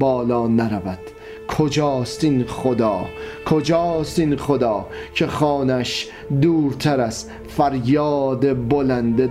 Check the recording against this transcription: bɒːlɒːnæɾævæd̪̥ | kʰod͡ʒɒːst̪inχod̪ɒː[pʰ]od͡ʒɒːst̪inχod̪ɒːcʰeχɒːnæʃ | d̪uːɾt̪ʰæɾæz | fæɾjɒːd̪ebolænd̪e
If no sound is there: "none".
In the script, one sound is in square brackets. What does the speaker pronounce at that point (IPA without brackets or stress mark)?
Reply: kʰ